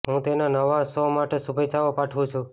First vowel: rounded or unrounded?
rounded